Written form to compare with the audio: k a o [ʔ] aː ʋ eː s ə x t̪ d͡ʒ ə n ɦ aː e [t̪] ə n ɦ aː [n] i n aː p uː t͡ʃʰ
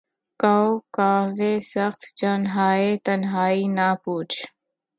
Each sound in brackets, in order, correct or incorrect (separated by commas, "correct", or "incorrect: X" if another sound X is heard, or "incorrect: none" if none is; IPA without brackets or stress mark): incorrect: k, correct, incorrect: none